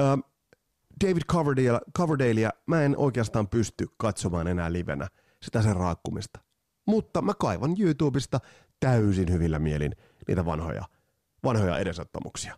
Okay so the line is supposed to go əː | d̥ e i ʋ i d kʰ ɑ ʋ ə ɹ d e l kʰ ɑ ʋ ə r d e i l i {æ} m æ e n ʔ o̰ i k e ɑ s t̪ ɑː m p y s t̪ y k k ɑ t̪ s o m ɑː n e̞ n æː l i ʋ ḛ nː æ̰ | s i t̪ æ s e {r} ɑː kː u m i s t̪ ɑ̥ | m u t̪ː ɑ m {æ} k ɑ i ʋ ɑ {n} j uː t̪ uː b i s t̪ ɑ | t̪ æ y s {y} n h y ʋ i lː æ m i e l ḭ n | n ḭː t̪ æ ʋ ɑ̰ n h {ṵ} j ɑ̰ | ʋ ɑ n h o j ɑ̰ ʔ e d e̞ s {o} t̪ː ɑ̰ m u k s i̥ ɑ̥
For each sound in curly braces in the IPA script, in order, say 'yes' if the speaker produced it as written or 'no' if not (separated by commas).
yes, yes, yes, yes, no, no, yes